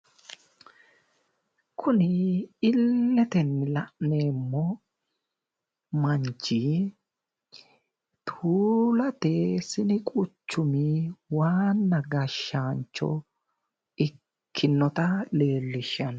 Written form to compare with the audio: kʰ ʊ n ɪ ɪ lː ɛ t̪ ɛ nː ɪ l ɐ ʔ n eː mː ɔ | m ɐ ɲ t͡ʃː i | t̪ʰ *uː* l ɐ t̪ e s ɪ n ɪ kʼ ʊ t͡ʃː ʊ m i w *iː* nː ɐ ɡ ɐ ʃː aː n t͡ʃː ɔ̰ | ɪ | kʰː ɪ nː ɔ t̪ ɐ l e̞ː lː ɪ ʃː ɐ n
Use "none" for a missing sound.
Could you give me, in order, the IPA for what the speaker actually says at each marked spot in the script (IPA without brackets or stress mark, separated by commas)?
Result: uː, aː